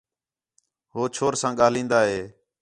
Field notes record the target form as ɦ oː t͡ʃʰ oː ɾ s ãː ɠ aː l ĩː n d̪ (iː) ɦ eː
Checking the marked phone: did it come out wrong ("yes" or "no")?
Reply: yes